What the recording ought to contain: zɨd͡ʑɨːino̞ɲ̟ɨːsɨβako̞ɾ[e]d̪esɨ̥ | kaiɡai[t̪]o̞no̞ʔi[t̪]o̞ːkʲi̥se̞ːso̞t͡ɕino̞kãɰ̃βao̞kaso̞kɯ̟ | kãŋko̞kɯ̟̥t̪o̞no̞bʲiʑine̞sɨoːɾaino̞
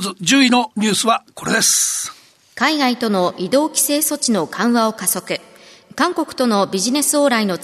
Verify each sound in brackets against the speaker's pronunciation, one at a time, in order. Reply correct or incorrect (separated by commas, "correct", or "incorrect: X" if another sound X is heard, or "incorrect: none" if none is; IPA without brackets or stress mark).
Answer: correct, correct, incorrect: d̪